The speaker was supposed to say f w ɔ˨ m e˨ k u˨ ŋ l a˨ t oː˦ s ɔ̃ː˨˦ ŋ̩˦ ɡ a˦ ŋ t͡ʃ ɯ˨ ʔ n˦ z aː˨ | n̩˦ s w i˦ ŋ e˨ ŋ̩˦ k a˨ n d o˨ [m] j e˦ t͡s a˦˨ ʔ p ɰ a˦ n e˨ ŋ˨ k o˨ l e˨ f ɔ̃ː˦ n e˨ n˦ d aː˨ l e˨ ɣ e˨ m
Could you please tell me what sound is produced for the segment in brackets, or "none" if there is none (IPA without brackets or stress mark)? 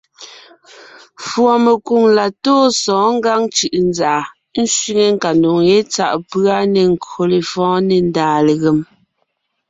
ŋ